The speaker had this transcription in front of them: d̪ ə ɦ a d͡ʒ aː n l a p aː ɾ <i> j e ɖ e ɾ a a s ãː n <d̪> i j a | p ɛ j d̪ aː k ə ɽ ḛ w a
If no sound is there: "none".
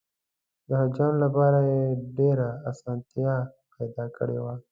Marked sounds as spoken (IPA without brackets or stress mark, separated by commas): a, t̪